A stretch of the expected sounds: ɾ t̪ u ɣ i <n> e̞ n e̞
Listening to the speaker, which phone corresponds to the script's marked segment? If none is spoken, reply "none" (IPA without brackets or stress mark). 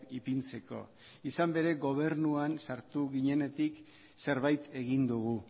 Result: ɲ